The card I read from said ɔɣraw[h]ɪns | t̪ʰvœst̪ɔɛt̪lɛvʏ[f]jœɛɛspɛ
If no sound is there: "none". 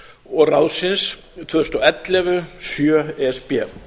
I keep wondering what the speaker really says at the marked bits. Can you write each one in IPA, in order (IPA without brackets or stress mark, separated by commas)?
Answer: s, s